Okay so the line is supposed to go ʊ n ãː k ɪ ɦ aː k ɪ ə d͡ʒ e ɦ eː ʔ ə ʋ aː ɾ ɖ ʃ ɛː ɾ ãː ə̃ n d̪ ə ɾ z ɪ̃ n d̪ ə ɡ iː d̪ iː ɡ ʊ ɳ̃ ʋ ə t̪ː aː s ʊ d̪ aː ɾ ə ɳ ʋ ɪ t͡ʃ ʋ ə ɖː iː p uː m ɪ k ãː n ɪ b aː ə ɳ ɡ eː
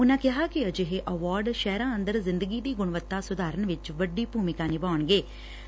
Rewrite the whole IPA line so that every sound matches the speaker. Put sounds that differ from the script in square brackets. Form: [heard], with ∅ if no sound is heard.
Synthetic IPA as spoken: ʊ n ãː k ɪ ɦ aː k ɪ ə d͡ʒ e ɦ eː ʔ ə ʋ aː ɾ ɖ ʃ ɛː ɾ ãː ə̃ n d̪ ə ɾ z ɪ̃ n d̪ ə ɡ iː d̪ iː ɡ ʊ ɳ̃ ʋ ə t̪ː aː s ʊ d̪ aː ɾ ə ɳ ʋ ɪ t͡ʃ ʋ ə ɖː iː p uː m ɪ k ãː n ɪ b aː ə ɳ ɡ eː